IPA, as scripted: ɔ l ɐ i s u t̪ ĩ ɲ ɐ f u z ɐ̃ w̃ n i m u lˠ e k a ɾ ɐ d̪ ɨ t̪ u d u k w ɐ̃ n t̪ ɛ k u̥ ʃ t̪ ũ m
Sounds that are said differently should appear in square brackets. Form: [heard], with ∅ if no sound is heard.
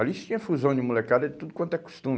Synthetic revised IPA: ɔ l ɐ i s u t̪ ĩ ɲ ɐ f u z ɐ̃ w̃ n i m u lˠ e k a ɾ ɐ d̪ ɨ t̪ u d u k w ɐ̃ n t̪ ɛ k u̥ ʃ t̪ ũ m